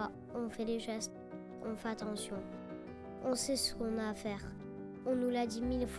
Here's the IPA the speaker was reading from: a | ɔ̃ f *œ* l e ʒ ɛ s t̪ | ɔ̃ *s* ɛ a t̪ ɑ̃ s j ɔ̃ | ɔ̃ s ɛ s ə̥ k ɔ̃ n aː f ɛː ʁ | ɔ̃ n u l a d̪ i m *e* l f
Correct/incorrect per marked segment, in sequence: incorrect: ɛ, incorrect: f, incorrect: i

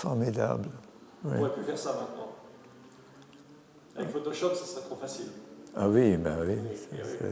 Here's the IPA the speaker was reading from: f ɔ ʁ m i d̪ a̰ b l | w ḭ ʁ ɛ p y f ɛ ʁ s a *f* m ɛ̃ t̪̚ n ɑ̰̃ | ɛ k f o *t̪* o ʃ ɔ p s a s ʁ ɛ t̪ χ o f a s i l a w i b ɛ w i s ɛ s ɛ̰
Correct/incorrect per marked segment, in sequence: incorrect: none, correct

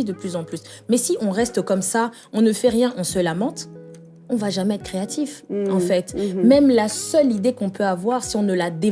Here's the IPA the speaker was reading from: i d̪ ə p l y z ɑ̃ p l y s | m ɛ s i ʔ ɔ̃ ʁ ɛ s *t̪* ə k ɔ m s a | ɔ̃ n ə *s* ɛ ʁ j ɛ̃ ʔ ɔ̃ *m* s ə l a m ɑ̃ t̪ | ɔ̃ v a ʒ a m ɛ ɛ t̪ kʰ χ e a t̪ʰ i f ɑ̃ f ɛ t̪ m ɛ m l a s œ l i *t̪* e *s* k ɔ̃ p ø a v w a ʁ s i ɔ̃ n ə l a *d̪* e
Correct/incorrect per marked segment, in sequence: correct, incorrect: f, incorrect: none, incorrect: d̪, incorrect: none, correct

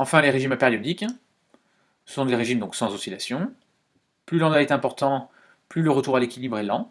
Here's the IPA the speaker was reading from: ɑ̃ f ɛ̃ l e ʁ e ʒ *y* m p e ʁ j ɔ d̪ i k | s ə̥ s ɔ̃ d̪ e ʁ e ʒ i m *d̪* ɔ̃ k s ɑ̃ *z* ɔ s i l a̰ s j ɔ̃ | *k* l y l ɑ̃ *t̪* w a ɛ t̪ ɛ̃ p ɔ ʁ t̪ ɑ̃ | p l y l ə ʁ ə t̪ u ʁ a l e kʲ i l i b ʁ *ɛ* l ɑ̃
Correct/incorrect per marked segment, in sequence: incorrect: i, correct, correct, incorrect: p, incorrect: d̪, correct

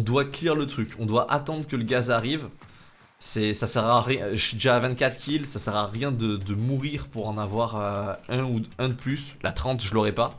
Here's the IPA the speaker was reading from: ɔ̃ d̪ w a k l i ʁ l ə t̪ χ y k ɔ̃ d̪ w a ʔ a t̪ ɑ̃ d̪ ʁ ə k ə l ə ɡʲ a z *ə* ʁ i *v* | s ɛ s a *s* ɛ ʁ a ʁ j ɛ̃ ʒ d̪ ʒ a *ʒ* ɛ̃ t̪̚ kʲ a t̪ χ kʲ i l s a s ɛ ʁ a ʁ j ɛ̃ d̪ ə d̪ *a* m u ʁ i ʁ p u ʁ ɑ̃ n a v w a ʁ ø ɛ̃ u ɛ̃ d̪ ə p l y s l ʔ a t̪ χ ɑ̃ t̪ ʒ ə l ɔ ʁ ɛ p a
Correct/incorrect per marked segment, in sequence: incorrect: a, correct, correct, incorrect: v, incorrect: ə

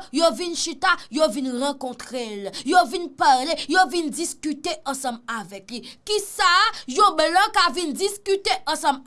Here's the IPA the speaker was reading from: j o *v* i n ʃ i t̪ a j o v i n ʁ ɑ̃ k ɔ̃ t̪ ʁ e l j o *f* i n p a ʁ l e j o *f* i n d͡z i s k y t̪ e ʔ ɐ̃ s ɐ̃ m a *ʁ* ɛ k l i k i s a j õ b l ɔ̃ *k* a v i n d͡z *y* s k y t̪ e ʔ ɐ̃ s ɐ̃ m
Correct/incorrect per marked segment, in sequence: correct, incorrect: v, incorrect: v, incorrect: v, correct, incorrect: i

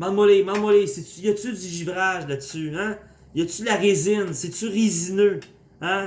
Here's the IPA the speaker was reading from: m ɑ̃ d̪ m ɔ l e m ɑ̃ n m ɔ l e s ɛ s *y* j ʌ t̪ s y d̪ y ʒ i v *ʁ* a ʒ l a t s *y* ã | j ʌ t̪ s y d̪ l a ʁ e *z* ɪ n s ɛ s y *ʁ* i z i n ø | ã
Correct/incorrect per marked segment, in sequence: correct, correct, correct, correct, correct

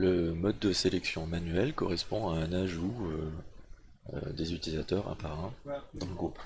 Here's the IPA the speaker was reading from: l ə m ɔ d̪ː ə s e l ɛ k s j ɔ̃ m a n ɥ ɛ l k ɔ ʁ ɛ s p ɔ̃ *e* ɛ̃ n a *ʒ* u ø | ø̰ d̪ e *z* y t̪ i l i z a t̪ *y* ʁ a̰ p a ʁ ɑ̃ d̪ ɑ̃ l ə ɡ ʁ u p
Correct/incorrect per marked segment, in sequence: incorrect: a, correct, correct, incorrect: œ

